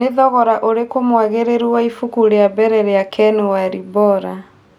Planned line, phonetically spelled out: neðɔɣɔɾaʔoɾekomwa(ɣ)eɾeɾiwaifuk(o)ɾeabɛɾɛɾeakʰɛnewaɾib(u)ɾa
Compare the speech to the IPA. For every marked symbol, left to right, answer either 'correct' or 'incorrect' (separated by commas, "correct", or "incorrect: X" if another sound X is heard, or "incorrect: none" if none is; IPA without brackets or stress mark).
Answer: correct, incorrect: u, incorrect: ɔ